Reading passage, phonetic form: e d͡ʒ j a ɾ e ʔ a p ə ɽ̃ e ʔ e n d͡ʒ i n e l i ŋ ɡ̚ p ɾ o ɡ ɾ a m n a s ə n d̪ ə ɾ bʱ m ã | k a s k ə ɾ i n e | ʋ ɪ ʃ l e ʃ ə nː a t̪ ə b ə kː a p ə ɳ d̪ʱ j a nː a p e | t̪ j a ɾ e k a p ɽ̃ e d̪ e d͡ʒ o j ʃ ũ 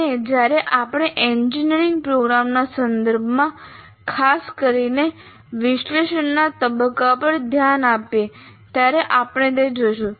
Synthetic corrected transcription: e d͡ʒ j a ɾ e ʔ a p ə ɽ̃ e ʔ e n d͡ʒ i n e ɾ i ŋ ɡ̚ p ɾ o ɡ ɾ a m n a s ə n d̪ ə ɾ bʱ m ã | kʰ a s k ə ɾ i n e | ʋ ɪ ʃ l e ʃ ə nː a t̪ ə b ə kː a p ə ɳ d̪ʱ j a n a p e | t̪ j a ɾ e ʔ a p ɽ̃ e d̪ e d͡ʒ o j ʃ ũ